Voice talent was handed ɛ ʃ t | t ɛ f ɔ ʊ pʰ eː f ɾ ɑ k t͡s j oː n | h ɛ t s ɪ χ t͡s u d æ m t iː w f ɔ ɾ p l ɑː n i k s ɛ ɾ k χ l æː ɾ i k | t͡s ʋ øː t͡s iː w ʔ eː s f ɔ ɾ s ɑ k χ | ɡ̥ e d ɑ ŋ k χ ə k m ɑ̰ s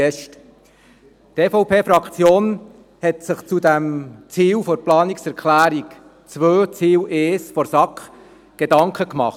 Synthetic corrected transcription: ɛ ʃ t | t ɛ f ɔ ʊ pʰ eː f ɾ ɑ k t͡s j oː n | h ɛ t s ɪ χ t͡s u d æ m t͡s iː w f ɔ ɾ p l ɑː n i k s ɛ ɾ k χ l æː ɾ i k | t͡s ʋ øː t͡s iː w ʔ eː s f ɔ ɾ s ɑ k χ | ɡ̥ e d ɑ ŋ k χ ə k m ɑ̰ χ